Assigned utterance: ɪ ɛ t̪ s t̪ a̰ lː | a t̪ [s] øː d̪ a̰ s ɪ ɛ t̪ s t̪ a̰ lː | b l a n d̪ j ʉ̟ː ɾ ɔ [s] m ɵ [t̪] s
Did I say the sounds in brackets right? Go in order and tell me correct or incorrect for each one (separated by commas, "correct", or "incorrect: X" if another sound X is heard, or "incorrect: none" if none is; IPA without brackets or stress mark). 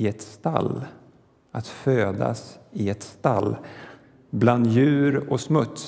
incorrect: f, correct, correct